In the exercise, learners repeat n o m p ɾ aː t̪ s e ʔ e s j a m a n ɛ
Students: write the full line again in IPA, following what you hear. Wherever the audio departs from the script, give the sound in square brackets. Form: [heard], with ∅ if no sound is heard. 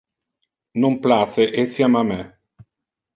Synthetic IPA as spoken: n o m p [l] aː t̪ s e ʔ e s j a m a [m] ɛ